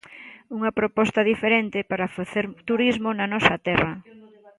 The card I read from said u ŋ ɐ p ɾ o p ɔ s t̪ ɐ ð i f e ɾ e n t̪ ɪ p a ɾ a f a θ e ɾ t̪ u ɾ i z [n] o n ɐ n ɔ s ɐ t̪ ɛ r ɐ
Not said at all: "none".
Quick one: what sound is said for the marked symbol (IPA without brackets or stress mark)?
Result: m